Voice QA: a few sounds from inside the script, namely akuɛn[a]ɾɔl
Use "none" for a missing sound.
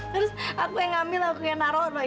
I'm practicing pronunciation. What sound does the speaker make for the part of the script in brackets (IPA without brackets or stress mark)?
a